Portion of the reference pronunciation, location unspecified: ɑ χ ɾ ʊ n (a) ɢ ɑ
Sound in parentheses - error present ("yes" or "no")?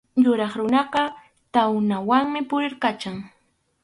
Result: yes